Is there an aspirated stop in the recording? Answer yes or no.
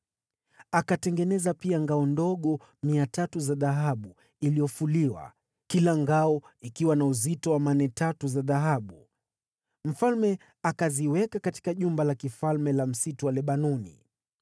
no